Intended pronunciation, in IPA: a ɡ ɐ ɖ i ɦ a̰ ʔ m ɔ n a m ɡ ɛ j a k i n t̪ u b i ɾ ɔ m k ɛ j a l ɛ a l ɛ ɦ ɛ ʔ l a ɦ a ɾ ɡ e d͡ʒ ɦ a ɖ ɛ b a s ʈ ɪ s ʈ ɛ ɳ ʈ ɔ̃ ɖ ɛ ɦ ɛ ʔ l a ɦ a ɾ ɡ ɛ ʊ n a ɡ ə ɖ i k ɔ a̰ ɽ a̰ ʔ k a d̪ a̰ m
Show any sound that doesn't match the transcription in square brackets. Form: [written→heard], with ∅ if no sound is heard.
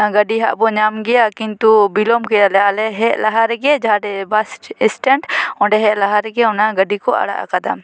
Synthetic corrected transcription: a ɡ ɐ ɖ i ɦ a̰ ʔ [m→b] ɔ [n→ɲ] a m ɡ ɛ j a k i n t̪ u b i [ɾ→l] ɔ m k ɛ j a l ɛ a l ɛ ɦ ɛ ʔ l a ɦ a ɾ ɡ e d͡ʒ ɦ a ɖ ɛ b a s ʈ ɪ s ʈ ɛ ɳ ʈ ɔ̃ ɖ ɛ ɦ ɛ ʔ l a ɦ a ɾ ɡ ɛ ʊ n a ɡ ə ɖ i k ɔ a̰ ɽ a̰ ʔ k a d̪ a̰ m